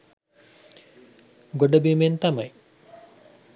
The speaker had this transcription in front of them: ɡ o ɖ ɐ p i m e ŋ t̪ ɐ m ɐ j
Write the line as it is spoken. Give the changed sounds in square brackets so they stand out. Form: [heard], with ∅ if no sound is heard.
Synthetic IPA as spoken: ɡ o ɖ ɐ [b] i m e [n] t̪ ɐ m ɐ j

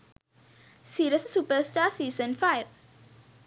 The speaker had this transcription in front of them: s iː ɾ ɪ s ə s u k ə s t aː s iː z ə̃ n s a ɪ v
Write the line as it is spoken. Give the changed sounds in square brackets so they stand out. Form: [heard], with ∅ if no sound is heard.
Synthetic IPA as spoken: s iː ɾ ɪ s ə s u [p] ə s t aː s iː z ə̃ n [f] a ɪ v

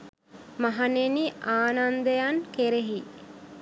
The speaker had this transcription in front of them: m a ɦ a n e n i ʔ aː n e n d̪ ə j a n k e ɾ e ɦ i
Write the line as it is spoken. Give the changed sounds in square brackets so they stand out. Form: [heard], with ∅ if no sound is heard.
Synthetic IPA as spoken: m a ɦ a n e n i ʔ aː n [a] n d̪ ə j a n k e ɾ e ɦ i

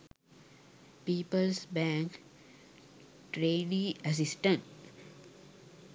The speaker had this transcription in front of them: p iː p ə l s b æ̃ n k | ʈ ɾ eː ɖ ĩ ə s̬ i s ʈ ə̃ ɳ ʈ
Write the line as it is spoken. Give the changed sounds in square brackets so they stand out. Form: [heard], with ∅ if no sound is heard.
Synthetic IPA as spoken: p iː p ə l s b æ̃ [ŋ] k | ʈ ɾ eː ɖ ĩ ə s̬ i s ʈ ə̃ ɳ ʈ

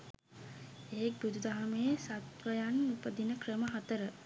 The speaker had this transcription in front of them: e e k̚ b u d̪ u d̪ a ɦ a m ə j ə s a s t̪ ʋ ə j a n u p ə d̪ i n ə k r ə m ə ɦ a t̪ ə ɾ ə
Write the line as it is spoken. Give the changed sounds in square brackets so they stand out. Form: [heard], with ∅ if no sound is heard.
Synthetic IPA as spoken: e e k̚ b u d̪ u d̪ a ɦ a m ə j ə s a [∅] t̪ ʋ ə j a n u p ə d̪ i n ə k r ə m ə ɦ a t̪ ə ɾ ə

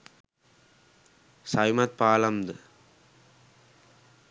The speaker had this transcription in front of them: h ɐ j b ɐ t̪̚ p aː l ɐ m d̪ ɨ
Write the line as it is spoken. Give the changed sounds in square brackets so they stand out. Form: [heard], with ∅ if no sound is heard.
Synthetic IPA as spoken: [s] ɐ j [m] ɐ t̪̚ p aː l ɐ m d̪ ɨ

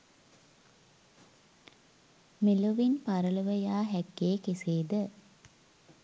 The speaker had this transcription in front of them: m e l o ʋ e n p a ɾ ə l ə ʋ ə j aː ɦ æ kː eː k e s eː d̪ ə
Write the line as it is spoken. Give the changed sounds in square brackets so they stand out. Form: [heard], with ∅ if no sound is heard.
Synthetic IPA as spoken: m e l o ʋ [i] n p a ɾ ə l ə ʋ ə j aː ɦ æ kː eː k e s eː d̪ ə

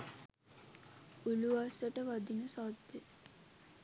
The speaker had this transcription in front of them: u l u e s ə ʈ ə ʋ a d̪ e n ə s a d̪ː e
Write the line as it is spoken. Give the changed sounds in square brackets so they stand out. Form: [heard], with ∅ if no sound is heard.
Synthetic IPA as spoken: u l u [a] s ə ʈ ə ʋ a d̪ [i] n ə s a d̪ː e

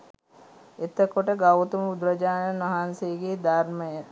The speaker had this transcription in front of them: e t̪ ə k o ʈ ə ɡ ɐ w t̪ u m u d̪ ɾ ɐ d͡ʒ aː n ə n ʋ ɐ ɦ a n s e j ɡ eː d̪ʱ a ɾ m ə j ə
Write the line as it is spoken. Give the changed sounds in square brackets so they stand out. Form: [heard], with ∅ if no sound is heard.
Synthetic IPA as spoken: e t̪ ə k o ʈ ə ɡ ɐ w t̪ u m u d̪ ɾ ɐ d͡ʒ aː n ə n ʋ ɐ ɦ a n s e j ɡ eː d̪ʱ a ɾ m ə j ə

